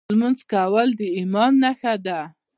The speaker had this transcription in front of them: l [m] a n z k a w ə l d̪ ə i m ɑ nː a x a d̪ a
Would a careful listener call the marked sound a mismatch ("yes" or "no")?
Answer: no